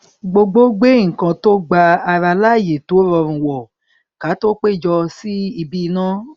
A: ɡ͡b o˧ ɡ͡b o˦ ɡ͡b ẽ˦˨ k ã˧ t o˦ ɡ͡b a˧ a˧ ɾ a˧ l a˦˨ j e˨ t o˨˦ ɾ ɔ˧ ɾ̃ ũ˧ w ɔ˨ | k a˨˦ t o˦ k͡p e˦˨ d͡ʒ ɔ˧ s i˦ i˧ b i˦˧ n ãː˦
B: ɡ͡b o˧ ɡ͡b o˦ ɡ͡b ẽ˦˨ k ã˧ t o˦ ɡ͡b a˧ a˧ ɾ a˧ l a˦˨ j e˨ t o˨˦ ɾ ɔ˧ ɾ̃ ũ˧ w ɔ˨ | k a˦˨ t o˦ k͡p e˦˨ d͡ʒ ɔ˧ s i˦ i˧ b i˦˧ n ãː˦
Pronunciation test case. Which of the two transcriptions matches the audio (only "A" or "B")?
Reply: A